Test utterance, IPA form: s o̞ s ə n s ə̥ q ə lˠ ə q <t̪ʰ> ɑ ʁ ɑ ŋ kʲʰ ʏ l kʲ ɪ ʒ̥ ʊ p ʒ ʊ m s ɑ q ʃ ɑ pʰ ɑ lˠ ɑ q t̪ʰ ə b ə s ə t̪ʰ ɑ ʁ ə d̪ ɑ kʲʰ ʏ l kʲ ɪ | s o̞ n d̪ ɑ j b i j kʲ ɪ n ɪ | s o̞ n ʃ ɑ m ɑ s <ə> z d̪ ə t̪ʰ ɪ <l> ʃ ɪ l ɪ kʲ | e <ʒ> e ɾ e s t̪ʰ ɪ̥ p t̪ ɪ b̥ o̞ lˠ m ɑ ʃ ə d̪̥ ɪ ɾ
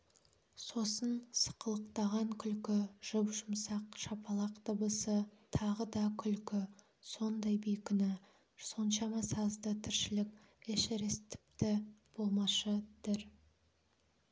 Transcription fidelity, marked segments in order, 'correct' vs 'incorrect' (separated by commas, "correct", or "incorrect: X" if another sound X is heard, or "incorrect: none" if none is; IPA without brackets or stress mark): incorrect: t̪, incorrect: ɑ, incorrect: ɾ, incorrect: ʃ